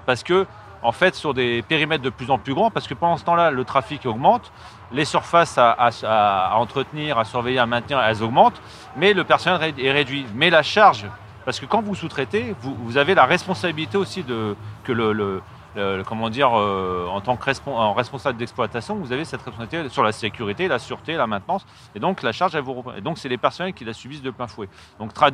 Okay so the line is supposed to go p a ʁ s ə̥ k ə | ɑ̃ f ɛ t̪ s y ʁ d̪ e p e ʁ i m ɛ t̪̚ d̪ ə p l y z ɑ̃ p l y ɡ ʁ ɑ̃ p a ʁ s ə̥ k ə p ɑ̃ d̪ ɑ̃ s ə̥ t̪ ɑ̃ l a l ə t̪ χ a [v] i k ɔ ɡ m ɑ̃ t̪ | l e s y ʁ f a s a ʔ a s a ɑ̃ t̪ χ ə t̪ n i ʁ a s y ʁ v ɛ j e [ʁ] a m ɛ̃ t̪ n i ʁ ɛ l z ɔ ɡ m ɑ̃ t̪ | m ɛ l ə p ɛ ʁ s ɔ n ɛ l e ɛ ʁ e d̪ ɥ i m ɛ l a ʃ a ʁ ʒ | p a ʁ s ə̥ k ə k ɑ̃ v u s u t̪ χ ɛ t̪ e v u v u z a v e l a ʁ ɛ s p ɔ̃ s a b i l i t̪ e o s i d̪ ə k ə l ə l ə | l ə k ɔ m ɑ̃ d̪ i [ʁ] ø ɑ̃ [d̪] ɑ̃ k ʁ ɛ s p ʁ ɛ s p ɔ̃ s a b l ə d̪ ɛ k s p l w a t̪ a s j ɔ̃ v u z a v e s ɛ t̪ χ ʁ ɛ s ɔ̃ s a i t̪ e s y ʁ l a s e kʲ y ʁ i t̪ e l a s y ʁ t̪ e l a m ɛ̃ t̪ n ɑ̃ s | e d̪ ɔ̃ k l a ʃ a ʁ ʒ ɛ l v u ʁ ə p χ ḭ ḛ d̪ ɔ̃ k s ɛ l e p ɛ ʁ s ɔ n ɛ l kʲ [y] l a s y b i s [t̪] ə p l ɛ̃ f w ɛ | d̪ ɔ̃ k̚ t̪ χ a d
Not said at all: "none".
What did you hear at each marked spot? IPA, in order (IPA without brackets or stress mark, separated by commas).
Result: f, ʁ, ʁ, t̪, i, d̪